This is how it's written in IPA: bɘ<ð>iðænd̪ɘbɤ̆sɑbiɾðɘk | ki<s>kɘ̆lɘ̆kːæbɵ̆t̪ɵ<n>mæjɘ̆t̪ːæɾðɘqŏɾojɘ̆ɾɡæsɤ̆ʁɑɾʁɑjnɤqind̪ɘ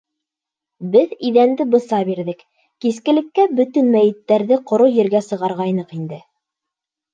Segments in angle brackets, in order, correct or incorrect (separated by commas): correct, correct, correct